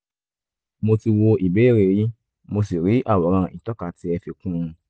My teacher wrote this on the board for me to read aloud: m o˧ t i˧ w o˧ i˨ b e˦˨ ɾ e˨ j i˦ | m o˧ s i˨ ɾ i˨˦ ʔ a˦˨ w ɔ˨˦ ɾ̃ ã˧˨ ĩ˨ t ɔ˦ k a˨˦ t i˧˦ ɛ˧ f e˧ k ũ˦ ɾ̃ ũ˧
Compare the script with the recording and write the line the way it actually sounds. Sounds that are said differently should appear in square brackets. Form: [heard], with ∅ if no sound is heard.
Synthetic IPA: m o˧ t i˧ w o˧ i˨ b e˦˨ ɾ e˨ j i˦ | m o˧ s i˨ ɾ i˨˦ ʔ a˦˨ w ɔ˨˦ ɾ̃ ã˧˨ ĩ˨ t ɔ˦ k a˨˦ t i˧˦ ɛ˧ f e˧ k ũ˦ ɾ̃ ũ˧